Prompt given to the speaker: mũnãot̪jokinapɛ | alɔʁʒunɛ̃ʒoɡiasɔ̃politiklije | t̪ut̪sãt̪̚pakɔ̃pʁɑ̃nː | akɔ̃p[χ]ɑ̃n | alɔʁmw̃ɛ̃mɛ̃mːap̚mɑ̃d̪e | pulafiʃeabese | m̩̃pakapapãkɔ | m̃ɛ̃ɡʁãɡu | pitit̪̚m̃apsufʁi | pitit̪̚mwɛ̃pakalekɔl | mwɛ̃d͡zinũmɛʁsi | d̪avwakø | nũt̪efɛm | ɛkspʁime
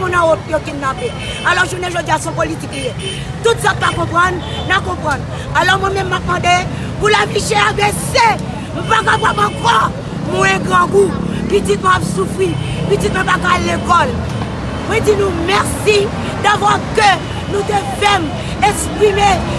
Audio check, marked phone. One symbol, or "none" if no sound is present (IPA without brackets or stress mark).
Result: ʁ